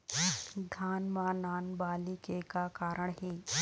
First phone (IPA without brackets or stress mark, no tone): d̪ʱ